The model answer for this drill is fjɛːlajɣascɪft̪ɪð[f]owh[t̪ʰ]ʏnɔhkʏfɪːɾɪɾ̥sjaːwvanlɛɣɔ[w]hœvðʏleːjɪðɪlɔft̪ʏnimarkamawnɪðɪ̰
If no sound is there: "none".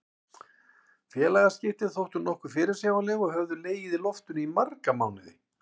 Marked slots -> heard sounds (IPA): θ, t̪, ɣ

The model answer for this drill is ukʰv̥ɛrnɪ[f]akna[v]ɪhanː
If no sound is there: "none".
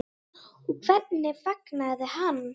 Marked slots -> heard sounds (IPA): f, ð

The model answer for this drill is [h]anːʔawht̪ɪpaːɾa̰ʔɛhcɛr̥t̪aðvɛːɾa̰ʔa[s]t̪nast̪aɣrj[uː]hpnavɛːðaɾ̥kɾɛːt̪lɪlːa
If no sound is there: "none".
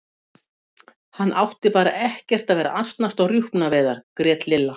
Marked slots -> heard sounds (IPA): h, s, u

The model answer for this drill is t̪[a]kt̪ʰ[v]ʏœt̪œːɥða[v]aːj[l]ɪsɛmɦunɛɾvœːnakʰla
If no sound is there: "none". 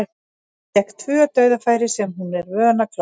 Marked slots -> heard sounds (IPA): ɛ, v, f, ɾ

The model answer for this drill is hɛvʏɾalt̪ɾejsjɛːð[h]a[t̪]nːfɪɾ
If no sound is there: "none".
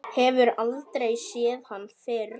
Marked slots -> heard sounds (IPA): h, none

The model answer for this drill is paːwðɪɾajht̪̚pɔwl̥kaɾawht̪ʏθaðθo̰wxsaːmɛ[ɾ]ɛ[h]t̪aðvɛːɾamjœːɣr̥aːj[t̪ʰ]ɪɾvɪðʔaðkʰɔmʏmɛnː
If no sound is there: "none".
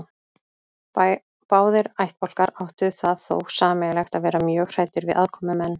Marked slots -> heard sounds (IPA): l, x, t̪

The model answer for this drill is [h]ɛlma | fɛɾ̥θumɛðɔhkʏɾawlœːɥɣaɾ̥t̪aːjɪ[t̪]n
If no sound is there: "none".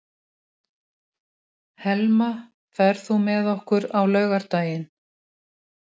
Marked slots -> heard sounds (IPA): h, none

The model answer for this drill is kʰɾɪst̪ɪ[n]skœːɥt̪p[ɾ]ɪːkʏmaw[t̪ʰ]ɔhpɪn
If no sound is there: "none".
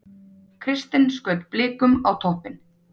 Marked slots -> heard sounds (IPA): n, l, t̪ʰ

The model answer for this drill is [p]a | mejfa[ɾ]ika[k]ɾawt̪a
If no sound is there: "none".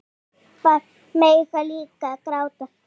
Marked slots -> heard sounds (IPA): p, l, k

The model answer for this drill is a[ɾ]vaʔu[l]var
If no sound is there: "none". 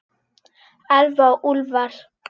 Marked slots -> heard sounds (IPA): l, l

